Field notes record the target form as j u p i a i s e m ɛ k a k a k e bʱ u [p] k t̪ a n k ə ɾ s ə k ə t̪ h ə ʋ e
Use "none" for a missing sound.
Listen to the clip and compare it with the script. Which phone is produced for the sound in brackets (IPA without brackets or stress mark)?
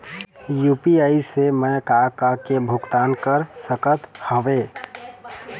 none